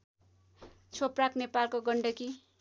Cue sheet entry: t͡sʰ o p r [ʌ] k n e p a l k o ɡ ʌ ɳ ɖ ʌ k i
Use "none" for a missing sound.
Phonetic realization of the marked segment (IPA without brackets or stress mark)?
a